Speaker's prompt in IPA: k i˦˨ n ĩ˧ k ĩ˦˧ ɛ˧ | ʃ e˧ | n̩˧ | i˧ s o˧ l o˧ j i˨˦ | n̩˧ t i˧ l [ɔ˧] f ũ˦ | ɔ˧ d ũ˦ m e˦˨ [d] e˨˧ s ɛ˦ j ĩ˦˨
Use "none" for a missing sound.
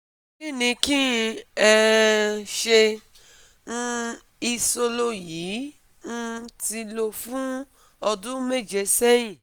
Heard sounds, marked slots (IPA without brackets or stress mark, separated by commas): o˧, d͡ʒ